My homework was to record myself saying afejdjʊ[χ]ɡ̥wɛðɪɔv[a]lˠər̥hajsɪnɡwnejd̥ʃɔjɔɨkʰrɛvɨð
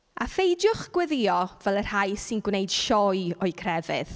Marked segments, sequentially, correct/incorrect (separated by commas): correct, incorrect